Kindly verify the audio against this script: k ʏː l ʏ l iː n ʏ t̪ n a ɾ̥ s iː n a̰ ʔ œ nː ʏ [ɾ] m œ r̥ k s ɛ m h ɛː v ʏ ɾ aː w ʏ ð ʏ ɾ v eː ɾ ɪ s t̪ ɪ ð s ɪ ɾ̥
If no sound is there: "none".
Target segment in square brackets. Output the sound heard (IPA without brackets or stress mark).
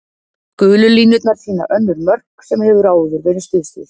ɾ